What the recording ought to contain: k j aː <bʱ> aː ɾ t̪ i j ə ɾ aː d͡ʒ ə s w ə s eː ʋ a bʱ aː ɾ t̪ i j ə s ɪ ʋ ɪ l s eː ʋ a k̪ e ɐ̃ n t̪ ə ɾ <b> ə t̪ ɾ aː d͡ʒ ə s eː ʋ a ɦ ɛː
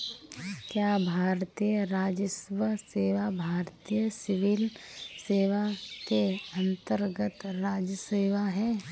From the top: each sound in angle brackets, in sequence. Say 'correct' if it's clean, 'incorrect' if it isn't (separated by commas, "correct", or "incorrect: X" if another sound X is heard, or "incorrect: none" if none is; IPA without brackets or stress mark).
correct, incorrect: ɡ